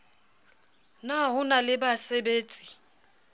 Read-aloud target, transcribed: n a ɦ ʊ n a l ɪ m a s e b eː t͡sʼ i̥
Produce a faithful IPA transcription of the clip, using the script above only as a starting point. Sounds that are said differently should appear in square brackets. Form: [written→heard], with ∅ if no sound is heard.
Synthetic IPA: n a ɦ ʊ n a l ɪ [m→b] a s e b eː t͡sʼ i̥